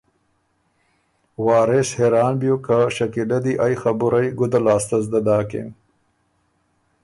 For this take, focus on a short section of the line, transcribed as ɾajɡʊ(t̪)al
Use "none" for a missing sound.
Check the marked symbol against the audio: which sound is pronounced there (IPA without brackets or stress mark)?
d̪